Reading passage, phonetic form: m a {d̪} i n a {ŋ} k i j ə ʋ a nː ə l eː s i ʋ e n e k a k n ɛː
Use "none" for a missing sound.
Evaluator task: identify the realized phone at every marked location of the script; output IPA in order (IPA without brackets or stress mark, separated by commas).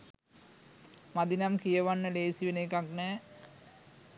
d̪, m